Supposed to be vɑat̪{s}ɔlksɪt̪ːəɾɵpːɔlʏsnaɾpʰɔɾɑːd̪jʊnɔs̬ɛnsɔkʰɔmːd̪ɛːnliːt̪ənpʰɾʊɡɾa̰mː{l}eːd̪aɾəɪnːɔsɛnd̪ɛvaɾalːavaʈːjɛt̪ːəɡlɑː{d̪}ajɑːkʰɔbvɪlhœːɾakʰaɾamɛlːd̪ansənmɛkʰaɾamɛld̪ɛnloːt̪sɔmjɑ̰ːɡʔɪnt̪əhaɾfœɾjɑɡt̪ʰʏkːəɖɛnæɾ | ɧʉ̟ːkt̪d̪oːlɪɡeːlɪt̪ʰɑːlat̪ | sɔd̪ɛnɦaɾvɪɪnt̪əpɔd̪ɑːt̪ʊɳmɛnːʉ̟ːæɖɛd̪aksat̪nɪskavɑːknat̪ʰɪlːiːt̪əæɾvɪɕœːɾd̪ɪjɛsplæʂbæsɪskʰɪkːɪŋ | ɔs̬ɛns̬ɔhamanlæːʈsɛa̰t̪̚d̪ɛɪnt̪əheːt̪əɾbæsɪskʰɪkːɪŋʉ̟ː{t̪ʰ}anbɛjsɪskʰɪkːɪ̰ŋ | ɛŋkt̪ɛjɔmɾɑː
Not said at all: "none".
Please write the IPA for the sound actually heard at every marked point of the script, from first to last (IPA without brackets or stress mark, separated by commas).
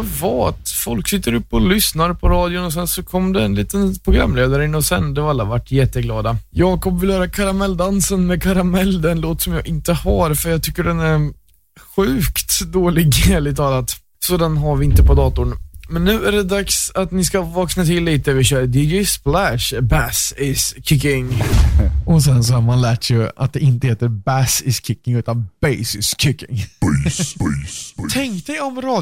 f, l, d̪, t̪